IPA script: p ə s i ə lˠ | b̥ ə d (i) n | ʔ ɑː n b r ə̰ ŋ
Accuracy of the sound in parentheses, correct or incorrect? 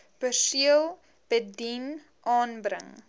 correct